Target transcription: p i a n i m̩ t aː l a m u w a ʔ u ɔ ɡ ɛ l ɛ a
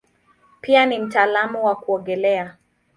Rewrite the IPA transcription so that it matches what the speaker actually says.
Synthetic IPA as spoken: p i a n i m̩ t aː l a m u w a k u ɔ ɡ ɛ l ɛ a

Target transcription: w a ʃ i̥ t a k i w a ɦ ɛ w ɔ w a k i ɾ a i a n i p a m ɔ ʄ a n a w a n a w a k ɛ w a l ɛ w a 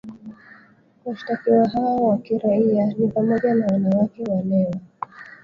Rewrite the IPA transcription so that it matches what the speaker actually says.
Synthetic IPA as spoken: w a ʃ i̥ t a k i w a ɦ a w ɔ w a k i ɾ a i a n i p a m ɔ ʄ a n a w a n a w a k ɛ w a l ɛ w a

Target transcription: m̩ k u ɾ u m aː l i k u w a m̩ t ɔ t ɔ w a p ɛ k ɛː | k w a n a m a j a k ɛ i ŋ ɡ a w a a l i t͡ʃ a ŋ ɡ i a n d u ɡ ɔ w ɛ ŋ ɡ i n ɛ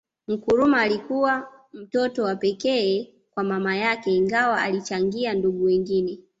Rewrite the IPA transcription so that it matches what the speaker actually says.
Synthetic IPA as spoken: m̩ k u ɾ u m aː l i k u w a m̩ t ɔ t ɔ w a p ɛ k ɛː | k w a m a m a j a k ɛ i ŋ ɡ a w a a l i t͡ʃ a ŋ ɡ i a n d u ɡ u w ɛ ŋ ɡ i n ɛ

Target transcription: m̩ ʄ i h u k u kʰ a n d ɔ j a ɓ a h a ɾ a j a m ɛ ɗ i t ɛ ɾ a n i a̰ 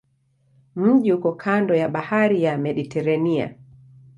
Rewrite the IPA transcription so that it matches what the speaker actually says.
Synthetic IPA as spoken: m̩ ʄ i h u k ɔ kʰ a n d ɔ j a ɓ a h a ɾ i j a m ɛ ɗ i t ɛ ɾ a n i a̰

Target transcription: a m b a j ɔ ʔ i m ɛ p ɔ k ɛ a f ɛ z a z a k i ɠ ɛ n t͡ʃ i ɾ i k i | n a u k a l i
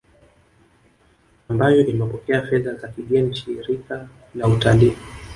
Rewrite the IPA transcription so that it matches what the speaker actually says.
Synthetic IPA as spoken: a m b a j ɔ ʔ i m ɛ p ɔ k ɛ a f ɛ ð a z a k i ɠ ɛ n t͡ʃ i ɾ i k a | n a u t a l i

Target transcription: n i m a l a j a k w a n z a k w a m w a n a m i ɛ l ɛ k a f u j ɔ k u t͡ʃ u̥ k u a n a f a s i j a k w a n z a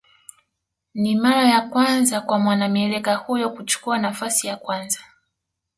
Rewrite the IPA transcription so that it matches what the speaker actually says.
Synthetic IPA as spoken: n i m a ɾ a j a k w a n z a k w a m w a n a m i ɛ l ɛ k a h u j ɔ k u t͡ʃ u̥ k u a n a f a s i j a k w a n z a

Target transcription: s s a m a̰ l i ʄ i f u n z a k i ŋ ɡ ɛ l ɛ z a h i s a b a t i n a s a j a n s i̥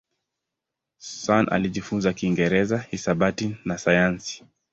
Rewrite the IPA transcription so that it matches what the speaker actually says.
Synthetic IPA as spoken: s s a n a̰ l i ʄ i f u n z a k i ŋ ɡ ɛ ɾ ɛ z a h i s a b a t i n a s a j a n s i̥

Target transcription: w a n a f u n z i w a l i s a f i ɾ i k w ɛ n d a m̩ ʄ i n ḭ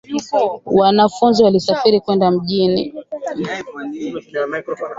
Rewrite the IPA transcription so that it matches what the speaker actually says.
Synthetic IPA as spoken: w a n a f u n z i w a l i s a f i ɾ i k w ɛ n d a m̩ ʄ i n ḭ

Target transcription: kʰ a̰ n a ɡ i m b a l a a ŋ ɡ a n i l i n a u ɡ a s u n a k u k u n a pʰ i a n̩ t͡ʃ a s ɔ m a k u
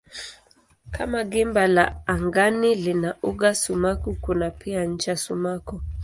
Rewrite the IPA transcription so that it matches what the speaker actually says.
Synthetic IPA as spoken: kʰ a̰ m a ɡ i m b a l a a ŋ ɡ a n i l i n a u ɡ a s u m a k u k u n a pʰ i a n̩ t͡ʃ a s u m a k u

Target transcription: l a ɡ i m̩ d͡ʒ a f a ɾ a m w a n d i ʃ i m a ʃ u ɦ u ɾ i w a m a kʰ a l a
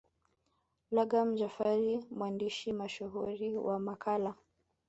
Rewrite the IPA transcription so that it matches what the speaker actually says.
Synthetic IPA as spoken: l a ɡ a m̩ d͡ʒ a f a ɾ i m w a n d i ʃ i m a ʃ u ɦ u ɾ i w a m a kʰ a l a

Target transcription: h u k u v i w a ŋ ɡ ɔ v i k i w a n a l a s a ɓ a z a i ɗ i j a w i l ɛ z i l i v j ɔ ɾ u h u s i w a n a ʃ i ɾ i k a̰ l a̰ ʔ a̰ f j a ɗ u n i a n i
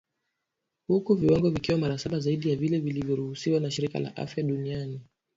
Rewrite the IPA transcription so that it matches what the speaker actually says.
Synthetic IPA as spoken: h u k u v i w a ŋ ɡ ɔ v i k i w a m a ɾ a s a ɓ a z a i ɗ i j a v i l ɛ v i l i v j ɔ ɾ u h u s i w a n a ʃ i ɾ i k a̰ l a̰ ʔ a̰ f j a ɗ u n i a n i

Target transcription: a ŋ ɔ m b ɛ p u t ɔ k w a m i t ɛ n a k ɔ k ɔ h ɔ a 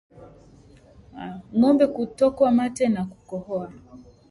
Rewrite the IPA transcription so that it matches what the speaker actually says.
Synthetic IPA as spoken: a ŋ ɔ m b ɛ k u t ɔ k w a m a t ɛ n a k u k ɔ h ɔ a

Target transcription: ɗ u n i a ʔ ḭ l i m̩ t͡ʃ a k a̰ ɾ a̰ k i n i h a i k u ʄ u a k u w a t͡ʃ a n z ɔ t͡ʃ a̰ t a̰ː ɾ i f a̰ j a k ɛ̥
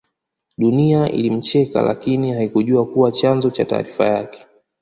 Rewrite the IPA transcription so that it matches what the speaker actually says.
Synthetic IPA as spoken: ɗ u n i a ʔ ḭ l i m̩ t͡ʃ ɛ k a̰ l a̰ k i n i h a i k u ʄ u a k u w a t͡ʃ a n z ɔ t͡ʃ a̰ t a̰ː ɾ i f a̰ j a k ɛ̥

